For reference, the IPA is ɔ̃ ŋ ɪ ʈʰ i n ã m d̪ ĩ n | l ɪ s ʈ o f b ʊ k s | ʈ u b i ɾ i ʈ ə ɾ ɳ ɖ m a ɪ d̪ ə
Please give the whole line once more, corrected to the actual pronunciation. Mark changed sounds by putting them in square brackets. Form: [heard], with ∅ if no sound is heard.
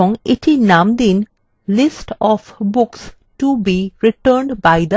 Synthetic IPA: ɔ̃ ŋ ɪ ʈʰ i n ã m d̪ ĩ n | l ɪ s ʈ [ɔ] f b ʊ k s | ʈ u b i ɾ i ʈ ə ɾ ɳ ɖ [b] a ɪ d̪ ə